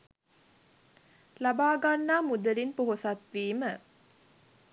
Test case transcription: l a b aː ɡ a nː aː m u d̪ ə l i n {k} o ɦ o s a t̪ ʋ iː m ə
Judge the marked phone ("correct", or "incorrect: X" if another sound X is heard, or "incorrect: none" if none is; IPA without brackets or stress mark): incorrect: p